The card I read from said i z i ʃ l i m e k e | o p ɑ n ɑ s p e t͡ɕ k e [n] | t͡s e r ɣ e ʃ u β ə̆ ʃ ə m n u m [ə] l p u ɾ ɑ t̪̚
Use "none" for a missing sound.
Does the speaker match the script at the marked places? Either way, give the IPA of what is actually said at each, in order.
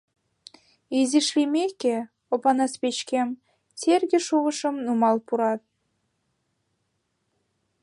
m, ɑ

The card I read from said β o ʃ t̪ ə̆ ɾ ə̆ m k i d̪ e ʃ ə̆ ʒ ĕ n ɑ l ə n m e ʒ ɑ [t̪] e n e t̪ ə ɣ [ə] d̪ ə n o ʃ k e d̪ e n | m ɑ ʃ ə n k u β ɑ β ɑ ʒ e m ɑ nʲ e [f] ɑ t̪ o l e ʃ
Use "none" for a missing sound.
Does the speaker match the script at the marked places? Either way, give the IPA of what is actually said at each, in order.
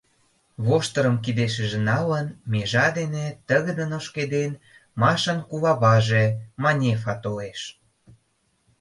d̪, ə, f

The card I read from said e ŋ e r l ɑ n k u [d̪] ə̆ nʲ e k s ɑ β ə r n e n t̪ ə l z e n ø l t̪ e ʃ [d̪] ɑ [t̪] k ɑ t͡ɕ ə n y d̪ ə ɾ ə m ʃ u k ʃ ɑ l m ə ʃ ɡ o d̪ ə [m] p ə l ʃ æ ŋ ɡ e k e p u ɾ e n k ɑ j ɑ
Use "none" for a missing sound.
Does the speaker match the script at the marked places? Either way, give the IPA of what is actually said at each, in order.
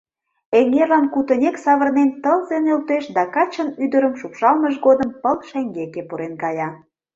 t̪, d̪, none, m

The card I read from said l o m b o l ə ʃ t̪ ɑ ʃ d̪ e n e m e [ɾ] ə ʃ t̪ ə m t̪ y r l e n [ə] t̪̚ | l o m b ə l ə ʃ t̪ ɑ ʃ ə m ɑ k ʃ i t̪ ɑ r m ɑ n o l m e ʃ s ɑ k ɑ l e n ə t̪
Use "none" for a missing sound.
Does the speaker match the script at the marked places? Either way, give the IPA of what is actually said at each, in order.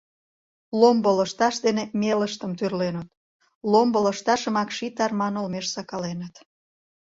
l, ə

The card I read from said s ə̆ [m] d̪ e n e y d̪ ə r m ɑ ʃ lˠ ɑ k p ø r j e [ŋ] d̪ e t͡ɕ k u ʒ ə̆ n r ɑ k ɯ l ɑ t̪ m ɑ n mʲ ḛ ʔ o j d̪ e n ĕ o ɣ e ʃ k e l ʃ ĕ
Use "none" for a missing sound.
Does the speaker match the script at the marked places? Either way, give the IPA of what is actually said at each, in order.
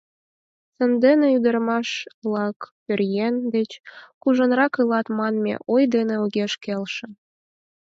n, n

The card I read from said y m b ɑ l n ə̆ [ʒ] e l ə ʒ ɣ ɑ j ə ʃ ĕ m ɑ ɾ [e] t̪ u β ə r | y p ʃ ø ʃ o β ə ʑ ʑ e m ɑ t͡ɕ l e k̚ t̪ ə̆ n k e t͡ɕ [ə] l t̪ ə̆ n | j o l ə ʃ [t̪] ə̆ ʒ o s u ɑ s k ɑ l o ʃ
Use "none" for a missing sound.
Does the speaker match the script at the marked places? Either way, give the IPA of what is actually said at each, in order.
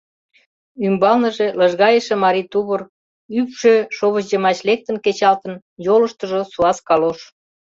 ʒ, i, ɑ, t̪

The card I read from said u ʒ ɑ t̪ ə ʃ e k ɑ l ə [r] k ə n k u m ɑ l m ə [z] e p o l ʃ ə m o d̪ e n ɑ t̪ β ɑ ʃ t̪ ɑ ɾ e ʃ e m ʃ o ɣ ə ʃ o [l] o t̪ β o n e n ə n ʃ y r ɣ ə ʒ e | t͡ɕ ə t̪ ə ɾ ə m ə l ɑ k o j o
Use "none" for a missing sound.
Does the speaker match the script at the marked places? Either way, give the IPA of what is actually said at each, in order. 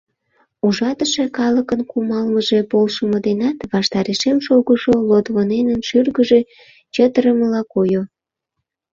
none, ʒ, l

